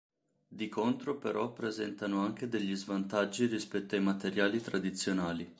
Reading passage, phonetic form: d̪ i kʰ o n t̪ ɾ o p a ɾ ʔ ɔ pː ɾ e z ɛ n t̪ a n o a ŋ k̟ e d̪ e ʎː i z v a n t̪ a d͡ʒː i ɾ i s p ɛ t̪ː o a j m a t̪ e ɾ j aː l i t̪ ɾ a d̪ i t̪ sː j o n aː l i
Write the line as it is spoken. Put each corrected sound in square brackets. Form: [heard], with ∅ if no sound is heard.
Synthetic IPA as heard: d̪ i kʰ o n t̪ ɾ o p [e] ɾ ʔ ɔ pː ɾ e z ɛ n t̪ a n o a ŋ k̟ e d̪ e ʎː i z v a n t̪ a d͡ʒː i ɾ i s p ɛ t̪ː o a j m a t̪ e ɾ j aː l i t̪ ɾ a d̪ i t̪ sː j o n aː l i